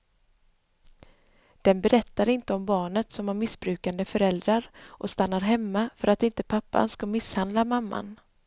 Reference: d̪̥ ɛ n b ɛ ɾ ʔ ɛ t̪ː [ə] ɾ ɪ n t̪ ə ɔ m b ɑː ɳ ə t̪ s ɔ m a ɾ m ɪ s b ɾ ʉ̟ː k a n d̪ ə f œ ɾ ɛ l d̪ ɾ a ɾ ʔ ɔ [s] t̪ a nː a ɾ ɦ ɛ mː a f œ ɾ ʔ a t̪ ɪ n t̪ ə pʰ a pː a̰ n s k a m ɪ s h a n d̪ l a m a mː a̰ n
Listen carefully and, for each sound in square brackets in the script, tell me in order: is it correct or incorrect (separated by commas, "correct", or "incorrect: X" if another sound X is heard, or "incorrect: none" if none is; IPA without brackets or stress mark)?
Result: incorrect: a, correct